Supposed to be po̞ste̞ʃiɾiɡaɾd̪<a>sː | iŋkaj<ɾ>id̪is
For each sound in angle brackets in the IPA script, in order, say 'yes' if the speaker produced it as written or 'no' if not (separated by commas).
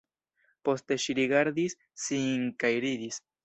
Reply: no, yes